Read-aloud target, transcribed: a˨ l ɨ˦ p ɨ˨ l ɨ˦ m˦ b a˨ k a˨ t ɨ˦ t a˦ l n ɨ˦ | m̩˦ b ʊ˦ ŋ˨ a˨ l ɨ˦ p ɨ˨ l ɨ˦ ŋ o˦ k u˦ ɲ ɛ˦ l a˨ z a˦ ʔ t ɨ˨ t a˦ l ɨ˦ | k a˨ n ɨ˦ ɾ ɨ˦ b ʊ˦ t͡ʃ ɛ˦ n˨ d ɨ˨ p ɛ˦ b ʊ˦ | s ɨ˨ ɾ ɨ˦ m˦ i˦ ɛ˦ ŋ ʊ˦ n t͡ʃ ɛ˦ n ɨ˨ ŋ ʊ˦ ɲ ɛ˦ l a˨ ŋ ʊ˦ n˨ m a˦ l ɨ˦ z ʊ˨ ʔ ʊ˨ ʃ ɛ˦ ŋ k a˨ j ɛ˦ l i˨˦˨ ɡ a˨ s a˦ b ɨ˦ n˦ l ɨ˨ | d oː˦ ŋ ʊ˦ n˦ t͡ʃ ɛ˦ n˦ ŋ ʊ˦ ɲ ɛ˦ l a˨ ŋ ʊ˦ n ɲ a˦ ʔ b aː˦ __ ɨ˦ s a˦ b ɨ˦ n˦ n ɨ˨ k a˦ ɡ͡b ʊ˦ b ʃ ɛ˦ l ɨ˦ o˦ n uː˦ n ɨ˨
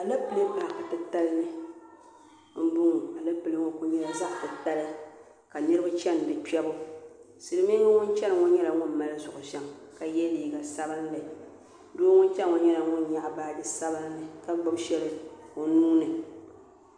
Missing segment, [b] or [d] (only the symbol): d